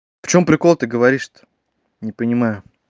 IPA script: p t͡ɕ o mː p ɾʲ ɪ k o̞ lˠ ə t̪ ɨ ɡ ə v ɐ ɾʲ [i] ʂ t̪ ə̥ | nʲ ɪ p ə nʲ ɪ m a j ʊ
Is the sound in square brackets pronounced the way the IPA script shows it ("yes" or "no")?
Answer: yes